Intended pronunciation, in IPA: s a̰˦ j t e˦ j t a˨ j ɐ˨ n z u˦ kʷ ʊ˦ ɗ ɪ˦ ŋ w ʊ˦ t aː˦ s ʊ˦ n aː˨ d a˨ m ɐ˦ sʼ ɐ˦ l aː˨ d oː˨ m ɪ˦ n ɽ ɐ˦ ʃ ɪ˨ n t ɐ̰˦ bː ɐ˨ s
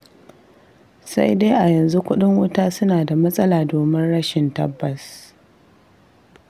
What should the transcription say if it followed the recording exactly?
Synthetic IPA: s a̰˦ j d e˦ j ʔ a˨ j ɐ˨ n z u˦ kʷ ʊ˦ ɗ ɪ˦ ŋ w ʊ˦ t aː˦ s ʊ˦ n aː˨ d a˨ m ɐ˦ sʼ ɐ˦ l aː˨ d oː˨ m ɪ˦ n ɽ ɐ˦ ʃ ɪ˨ n t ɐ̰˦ bː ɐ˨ s